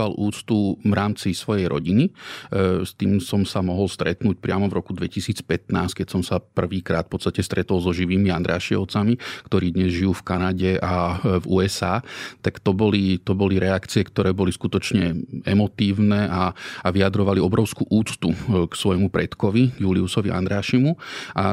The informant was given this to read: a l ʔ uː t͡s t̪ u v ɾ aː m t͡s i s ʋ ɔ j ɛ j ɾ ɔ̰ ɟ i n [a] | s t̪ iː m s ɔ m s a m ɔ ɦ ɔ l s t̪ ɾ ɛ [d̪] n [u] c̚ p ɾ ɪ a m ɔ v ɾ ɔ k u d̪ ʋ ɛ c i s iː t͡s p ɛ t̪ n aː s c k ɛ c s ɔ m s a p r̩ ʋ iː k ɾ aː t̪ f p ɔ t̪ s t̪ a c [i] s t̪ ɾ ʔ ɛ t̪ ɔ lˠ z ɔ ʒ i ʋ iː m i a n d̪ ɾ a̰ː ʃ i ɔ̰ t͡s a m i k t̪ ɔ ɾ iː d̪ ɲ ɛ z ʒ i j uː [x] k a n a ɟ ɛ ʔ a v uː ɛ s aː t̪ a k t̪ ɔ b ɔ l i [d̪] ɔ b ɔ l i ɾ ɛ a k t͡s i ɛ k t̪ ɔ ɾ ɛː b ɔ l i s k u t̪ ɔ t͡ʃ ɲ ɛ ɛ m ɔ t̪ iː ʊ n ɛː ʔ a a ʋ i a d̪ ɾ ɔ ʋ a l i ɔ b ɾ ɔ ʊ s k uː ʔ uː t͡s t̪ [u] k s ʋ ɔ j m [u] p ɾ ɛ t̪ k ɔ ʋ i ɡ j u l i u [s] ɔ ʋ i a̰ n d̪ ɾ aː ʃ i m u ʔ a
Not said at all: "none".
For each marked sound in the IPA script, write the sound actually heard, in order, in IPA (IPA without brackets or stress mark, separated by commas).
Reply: i, t̪, uː, ɛ, f, t̪, u, u, s